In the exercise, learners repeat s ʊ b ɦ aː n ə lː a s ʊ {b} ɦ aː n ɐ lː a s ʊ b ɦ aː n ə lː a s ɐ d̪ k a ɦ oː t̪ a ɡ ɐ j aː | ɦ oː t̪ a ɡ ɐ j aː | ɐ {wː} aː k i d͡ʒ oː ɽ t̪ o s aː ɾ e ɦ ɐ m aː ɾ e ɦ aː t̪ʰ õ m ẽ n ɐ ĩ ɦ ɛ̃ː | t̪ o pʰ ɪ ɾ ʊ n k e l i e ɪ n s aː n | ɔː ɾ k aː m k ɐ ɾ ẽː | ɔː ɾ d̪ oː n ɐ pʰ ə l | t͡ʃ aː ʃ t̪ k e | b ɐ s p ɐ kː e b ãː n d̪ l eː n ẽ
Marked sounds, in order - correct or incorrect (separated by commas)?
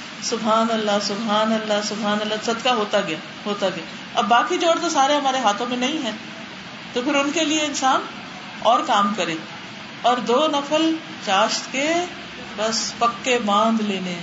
correct, incorrect